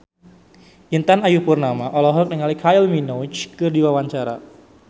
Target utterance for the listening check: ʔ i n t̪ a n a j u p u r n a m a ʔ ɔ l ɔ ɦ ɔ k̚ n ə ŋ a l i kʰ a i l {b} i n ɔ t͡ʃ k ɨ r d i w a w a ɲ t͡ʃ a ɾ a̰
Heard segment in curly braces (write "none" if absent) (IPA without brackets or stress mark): m